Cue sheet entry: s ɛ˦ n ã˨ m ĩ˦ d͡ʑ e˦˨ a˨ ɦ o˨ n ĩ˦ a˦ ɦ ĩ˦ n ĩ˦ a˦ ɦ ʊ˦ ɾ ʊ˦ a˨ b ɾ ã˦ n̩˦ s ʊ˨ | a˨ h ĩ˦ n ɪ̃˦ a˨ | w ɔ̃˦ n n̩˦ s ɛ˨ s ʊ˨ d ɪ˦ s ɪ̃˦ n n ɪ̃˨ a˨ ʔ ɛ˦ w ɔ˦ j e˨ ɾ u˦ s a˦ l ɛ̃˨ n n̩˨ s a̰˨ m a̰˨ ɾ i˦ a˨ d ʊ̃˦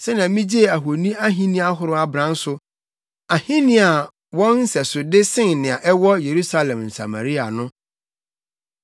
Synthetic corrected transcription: s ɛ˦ n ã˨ m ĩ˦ d͡ʑ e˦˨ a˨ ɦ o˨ n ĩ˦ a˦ ɦ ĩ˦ n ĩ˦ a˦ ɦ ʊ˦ ɾ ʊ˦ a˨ b ɾ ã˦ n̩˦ s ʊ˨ | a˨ h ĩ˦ n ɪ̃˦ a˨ | w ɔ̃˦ n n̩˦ s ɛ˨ s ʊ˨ d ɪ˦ s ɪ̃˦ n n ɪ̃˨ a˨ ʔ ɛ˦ w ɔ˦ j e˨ ɾ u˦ s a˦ l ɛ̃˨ m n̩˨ s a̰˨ m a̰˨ ɾ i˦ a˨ n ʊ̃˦